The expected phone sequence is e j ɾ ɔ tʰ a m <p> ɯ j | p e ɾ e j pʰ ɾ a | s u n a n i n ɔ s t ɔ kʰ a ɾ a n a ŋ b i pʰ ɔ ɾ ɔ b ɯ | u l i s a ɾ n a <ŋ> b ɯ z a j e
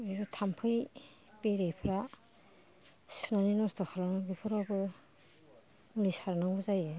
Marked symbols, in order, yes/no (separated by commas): no, yes